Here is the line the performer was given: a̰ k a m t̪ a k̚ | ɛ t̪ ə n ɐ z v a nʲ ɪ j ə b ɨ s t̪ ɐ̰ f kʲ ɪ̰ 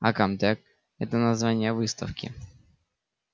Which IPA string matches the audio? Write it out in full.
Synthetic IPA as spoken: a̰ k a m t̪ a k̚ | ɛ t̪ ə n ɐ z v a nʲ ɪ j ə v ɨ s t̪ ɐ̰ f kʲ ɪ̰